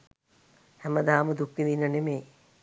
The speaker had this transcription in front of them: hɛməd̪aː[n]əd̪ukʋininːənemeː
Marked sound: incorrect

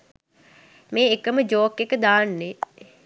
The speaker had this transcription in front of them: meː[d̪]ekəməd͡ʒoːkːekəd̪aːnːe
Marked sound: incorrect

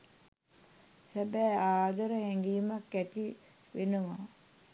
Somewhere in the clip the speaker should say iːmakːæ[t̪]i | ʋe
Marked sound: correct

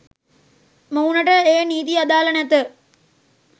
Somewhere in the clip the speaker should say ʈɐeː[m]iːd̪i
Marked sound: incorrect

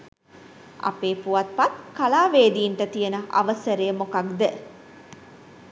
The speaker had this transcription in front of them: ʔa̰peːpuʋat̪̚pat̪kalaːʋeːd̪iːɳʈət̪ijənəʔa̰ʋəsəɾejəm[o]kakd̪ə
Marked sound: correct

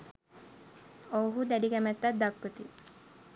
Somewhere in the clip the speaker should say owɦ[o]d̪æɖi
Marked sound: incorrect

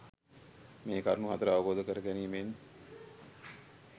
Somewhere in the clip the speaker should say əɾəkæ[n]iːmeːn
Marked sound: correct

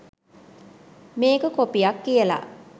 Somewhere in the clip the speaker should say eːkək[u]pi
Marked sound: incorrect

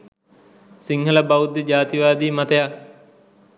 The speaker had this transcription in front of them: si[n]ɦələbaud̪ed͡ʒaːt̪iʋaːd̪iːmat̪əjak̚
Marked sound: incorrect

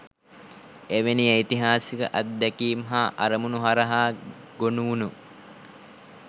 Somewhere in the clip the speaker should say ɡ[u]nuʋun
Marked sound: incorrect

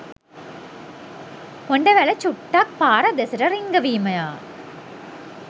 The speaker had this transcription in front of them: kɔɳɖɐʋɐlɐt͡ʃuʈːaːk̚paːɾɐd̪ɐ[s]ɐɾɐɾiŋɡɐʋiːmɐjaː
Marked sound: correct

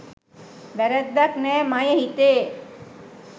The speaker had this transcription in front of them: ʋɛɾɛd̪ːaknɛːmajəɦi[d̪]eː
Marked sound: incorrect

